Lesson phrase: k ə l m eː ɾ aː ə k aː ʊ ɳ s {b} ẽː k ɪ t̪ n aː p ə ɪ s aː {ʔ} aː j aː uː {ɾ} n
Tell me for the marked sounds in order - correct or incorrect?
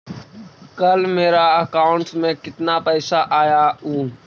incorrect: m, correct, incorrect: none

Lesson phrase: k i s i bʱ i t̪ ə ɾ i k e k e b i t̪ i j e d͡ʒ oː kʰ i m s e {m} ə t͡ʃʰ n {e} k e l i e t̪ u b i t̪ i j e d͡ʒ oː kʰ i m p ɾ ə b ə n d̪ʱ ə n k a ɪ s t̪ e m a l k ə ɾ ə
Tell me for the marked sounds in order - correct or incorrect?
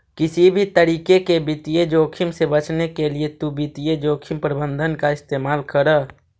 incorrect: b, correct

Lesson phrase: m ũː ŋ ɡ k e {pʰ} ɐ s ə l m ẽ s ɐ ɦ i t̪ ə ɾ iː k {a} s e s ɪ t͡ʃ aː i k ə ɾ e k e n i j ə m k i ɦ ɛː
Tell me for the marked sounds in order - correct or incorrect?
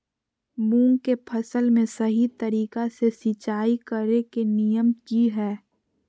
correct, correct

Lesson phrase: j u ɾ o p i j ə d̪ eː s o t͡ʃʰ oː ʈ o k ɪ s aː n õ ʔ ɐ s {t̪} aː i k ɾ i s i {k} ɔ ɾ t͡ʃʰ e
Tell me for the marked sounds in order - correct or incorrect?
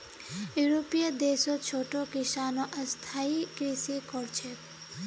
incorrect: t̪ʰ, correct

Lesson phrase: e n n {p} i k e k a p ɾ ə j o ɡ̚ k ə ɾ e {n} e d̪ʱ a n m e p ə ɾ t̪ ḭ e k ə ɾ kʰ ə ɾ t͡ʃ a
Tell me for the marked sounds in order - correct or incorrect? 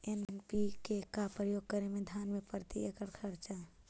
correct, incorrect: m

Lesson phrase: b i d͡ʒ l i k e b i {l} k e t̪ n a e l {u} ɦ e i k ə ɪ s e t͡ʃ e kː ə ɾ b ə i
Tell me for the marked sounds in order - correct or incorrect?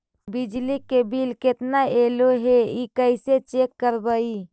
correct, incorrect: o

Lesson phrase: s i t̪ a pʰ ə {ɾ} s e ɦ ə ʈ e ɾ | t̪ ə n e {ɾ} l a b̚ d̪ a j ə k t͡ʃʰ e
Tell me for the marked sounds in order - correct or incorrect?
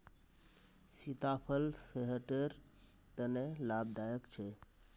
incorrect: l, incorrect: none

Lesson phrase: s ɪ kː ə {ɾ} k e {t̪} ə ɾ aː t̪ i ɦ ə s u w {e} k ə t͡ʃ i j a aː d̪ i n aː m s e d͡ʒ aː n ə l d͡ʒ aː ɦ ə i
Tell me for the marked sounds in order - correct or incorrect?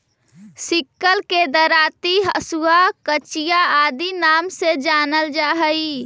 incorrect: l, incorrect: d̪, incorrect: a

